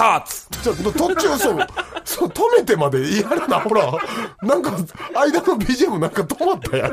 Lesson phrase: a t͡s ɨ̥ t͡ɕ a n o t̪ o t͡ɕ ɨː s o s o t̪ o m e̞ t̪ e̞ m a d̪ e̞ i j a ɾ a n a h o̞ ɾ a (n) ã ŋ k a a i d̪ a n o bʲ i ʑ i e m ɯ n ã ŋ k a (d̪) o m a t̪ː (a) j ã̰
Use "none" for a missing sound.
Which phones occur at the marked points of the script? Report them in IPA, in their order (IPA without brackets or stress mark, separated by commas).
n, t̪, a